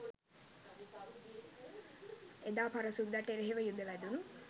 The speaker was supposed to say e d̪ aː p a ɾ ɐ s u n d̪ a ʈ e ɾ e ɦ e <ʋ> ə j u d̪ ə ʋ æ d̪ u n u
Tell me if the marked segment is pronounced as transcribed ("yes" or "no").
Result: yes